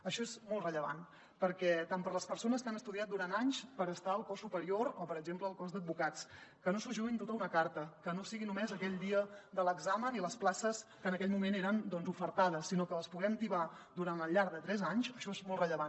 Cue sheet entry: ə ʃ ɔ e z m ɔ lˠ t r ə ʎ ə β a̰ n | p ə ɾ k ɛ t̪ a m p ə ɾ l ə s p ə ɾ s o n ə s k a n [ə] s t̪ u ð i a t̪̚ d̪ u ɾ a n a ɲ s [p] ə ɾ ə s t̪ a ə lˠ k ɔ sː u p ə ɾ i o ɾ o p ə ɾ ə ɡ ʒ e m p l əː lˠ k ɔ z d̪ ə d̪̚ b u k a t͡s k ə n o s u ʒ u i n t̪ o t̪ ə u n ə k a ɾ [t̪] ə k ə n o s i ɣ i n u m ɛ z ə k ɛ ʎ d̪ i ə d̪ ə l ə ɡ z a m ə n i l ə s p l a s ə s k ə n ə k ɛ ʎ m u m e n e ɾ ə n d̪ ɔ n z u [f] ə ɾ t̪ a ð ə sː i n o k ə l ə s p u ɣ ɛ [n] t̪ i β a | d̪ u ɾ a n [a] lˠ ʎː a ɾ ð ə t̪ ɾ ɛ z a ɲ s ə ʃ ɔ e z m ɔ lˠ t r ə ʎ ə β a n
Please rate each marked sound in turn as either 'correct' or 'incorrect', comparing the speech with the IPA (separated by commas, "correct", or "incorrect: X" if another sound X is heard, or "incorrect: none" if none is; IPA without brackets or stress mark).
correct, correct, correct, correct, incorrect: m, incorrect: ə